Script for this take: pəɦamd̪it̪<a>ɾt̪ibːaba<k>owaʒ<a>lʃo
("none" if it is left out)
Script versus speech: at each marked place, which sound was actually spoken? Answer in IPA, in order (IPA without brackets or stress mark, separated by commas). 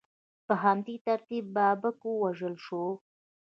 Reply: a, k, ə